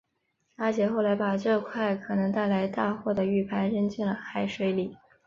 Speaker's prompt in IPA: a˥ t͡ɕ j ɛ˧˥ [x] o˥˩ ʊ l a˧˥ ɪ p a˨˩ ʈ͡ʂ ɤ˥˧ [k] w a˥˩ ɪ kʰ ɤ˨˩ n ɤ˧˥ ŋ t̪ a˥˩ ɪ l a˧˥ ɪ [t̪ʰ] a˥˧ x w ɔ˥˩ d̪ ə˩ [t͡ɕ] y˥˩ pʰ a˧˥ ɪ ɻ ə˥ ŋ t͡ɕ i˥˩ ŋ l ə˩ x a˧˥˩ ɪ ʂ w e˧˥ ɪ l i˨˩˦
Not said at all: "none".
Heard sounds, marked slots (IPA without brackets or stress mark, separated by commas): x, kʰ, t̪, none